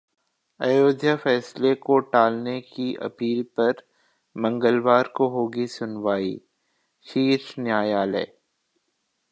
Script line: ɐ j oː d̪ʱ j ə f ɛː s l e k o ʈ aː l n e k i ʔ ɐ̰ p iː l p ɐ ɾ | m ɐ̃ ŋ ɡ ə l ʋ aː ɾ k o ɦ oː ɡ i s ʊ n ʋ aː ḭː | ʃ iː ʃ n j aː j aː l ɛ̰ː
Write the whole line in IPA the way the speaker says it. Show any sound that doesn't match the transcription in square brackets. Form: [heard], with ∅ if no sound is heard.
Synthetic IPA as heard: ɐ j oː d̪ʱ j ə f ɛː s l e k o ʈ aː l n e k i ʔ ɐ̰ p iː l p ɐ ɾ | m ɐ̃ ŋ ɡ ə l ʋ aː ɾ k o ɦ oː ɡ i s ʊ n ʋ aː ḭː | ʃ iː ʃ n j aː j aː l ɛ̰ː